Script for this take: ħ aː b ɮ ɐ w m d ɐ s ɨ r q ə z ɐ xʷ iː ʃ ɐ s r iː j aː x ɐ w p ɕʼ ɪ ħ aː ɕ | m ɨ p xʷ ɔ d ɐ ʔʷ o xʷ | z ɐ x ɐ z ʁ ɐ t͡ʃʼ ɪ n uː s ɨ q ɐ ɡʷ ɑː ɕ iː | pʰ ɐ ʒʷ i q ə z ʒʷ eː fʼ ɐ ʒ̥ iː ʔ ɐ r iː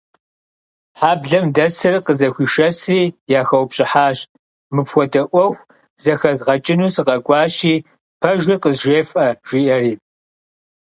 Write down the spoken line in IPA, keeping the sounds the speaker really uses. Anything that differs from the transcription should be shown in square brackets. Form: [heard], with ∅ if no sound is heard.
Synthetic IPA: ħ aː b ɮ ɐ [∅] m d ɐ s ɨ r q ə z ɐ xʷ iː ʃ ɐ s r iː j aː x ɐ w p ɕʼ ɪ ħ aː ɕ | m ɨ p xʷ ɔ d ɐ ʔʷ [ɔ] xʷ | z ɐ x ɐ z ʁ ɐ t͡ʃʼ ɪ n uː s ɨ q ɐ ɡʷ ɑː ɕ iː | pʰ ɐ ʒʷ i q ə z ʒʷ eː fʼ ɐ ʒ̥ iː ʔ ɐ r iː